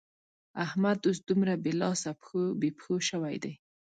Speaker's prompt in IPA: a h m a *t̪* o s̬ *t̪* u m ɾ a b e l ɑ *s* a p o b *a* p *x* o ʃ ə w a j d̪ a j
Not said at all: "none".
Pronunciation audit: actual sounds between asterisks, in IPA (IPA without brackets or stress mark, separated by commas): d̪, d̪, s, e, x